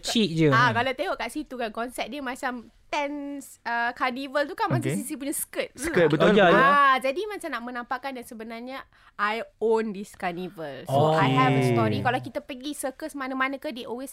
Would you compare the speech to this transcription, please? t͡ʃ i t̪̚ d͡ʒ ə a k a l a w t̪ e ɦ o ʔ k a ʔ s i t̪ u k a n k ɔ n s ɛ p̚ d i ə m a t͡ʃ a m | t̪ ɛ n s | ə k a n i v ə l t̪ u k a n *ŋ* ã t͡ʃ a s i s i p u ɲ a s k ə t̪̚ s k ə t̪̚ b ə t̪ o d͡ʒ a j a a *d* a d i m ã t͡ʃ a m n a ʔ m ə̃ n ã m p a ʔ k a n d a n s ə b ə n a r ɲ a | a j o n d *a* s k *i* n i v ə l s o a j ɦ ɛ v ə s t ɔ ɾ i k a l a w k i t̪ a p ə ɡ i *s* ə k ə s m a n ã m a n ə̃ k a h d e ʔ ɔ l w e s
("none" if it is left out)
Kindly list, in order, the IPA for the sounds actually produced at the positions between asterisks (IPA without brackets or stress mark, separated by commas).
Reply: m, d͡ʒ, i, a, s